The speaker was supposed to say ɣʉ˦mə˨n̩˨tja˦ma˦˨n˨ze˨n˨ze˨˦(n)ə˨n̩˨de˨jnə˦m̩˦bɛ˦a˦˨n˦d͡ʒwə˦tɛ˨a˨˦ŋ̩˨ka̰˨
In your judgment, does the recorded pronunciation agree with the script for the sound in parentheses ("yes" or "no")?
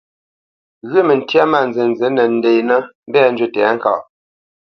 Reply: yes